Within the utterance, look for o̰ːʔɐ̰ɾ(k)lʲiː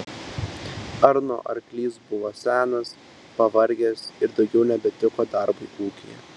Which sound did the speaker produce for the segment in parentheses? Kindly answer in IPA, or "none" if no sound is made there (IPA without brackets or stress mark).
k